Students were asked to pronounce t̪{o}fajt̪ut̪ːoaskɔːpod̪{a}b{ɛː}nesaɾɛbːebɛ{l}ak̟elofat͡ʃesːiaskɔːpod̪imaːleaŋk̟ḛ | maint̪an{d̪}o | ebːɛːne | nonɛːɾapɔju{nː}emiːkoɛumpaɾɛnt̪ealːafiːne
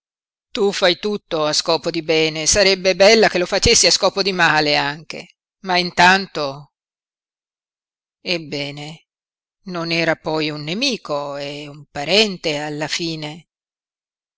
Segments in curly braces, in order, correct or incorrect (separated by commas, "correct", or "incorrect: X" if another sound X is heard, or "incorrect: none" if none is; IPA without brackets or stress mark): incorrect: u, incorrect: i, correct, incorrect: lː, incorrect: t̪, correct